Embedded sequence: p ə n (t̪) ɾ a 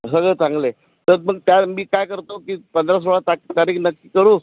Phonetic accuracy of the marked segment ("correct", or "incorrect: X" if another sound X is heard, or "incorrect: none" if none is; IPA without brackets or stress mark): incorrect: d̪